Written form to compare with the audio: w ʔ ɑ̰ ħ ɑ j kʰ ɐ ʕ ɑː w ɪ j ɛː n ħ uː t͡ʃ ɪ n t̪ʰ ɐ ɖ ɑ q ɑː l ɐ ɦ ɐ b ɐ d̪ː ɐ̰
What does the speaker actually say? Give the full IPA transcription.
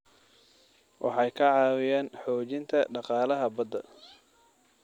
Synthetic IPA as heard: w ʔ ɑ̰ ħ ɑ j kʰ ɐ ʕ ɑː w ɪ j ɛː n ħ ɔː t͡ʃ ɪ n t̪ʰ ɐ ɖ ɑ q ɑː l ɐ ɦ ɐ b ɐ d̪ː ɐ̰

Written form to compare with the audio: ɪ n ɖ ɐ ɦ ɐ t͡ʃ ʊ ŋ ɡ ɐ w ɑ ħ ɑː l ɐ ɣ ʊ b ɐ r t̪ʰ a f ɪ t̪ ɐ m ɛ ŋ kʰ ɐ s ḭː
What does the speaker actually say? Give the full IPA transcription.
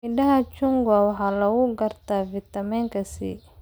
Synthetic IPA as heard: ɪ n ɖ ɐ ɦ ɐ t͡ʃ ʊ ŋ ɡ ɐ w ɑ ħ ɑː l ɐ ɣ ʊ ɡ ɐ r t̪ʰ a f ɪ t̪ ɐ m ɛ ŋ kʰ ɐ s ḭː

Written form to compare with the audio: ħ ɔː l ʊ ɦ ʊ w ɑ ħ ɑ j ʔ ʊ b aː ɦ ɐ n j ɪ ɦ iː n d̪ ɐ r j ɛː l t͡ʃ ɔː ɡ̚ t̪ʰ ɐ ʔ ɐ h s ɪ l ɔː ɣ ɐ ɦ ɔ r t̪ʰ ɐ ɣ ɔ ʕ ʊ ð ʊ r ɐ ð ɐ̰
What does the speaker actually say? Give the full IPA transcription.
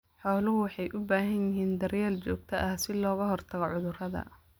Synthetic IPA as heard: ħ ɔː l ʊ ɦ ʊ w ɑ ħ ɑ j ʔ ʊ b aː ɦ ɐ n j ɪ ɦ iː n d̪ ɐ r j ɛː l t͡ʃ ɔː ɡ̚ t̪ʰ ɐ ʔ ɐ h s ɪ l ɔː ɣ ɐ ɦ ɔ r t̪ʰ ɐ ɣ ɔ ʕ ʊ ð ʊ r ɐ ð ɐ̰

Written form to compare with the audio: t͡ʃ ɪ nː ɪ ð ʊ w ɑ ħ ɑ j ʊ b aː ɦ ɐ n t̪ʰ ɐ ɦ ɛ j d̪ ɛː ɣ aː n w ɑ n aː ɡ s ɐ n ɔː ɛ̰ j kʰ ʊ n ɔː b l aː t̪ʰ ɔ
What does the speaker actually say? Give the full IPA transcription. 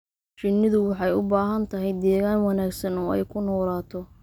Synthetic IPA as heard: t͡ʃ ɪ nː ɪ ð ʊ w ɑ ħ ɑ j ʊ b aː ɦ ɐ n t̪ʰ ɐ ɦ ɛ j d̪ ɛː ɣ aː n w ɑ n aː ɡ s ɐ n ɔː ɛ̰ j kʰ ʊ n ɔː l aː t̪ʰ ɔ

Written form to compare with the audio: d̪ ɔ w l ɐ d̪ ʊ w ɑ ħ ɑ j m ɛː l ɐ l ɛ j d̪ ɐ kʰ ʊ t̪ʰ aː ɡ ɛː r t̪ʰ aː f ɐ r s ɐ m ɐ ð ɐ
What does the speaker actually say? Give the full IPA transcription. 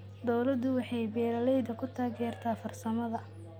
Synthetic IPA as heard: d̪ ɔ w l ɐ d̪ ʊ w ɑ ħ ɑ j b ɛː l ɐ l ɛ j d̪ ɐ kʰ ʊ t̪ʰ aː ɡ ɛː r t̪ʰ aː f ɐ r s ɐ m ɐ ð ɐ

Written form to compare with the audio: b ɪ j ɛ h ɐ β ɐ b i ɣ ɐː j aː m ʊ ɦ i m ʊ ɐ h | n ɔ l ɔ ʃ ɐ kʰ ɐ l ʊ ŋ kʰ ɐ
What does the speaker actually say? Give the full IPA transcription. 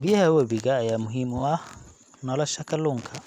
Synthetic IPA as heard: b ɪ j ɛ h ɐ w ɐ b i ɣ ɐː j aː m ʊ ɦ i m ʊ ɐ h | n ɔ l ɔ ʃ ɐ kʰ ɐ l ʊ ŋ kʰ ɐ

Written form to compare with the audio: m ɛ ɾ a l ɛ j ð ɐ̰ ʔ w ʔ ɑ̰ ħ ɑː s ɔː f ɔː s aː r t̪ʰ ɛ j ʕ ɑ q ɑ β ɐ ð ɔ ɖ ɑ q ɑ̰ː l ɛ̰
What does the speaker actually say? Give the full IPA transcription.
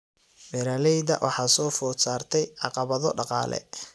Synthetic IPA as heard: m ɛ ɾ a l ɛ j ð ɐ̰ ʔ w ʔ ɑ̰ ħ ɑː s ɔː f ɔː s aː r t̪ʰ ɛ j ʕ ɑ q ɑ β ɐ ð ɔ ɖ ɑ q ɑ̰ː l ɛ̰

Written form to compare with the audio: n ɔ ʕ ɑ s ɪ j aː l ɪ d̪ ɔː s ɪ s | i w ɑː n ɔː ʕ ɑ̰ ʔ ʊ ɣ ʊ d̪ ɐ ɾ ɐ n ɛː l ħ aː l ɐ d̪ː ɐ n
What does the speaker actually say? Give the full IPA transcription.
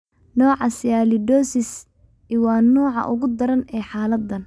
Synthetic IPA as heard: n ɔː ʕ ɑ s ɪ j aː l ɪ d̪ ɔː s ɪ s | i w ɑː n ɔː ʕ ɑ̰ ʔ ʊ ɣ ʊ d̪ ɐ ɾ ɐ n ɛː ħ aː l ɐ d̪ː ɐ n

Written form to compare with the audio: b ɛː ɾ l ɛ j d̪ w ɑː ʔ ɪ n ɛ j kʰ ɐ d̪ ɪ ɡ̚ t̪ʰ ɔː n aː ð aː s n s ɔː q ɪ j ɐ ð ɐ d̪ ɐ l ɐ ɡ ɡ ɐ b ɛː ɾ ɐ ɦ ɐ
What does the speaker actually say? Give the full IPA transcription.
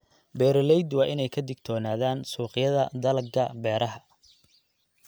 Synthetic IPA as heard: b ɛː ɾ l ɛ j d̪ w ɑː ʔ ɪ n ɛ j kʰ ɐ d̪ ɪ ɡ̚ t̪ʰ ɔː n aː ð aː n s uː q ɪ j ɐ ð ɐ d̪ ɐ l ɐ ɡ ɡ ɐ b ɛː ɾ ɐ ɦ ɐ

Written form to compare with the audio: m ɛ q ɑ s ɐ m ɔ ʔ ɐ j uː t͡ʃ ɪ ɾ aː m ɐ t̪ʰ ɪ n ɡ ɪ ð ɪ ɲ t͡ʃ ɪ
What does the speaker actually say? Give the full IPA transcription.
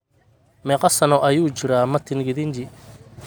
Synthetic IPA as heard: m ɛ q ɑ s ɐ n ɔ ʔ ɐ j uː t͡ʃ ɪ ɾ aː m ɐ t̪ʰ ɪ n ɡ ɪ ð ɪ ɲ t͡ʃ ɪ

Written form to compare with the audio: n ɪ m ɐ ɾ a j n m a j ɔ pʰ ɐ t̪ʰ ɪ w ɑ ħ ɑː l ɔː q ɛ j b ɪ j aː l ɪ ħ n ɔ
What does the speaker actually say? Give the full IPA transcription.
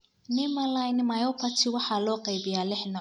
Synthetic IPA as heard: n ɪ m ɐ l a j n m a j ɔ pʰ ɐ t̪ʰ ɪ w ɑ ħ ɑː l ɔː q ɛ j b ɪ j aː l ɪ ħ n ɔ

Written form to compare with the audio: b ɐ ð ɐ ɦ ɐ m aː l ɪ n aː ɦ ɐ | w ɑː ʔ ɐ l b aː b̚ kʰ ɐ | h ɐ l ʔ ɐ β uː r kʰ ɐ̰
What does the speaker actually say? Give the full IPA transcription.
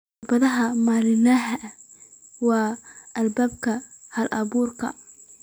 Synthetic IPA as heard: b ɐ ð ɐ ɦ ɐ m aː l ɪ n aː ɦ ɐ | w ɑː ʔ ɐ l b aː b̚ kʰ ɐ | h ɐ l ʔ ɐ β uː r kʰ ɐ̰

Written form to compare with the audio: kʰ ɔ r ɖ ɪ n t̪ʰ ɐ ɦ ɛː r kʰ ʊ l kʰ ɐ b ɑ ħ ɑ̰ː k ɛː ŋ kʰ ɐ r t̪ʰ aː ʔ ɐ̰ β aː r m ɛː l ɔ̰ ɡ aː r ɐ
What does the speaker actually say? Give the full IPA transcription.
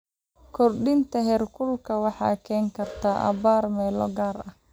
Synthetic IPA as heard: kʰ ɔ r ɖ ɪ n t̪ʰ ɐ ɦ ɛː r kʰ ʊ l kʰ ɐ w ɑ ħ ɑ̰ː kʰ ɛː ŋ kʰ ɐ r t̪ʰ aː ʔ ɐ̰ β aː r m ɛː l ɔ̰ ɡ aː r ɐ

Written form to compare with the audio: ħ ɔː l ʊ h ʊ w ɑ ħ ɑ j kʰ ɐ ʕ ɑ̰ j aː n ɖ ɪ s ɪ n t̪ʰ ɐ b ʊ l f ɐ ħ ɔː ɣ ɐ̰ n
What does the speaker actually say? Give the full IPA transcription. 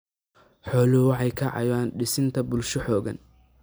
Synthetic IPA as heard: ħ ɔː l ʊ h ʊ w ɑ ħ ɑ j kʰ ɐ ʕ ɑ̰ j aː n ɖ ɪ s ɪ n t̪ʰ ɐ b ʊ l ʃ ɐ ħ ɔː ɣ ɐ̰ n

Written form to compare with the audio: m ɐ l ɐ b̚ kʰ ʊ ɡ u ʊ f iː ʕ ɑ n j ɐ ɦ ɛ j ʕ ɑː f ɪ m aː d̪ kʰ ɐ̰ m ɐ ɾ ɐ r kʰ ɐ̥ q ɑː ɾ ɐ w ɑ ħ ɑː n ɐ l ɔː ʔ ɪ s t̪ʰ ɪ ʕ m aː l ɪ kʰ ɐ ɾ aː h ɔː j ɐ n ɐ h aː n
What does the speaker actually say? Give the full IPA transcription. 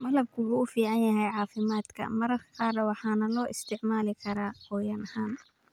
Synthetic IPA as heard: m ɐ l ɐ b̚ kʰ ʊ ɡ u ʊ f iː ʕ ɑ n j ɐ ɦ ɛ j ʕ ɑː f ɪ m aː d̪ kʰ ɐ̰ m ɐ ɾ ɐ r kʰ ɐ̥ q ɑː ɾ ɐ w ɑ ħ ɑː n ɐ l ɔː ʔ ɪ s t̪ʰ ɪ ʕ m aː l ɪ kʰ ɐ ɾ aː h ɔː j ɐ n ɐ h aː n

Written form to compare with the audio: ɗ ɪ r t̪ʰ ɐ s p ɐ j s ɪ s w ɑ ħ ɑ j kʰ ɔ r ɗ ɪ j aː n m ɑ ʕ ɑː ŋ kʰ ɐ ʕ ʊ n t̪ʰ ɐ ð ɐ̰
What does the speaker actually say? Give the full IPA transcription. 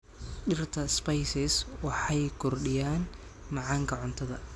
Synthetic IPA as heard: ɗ ɪ r t̪ʰ ɐ s p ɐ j s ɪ s w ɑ ħ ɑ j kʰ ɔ r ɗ ɪ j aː n m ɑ ʕ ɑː ŋ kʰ ɐ ʕ ʊ n t̪ʰ ɐ ð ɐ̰

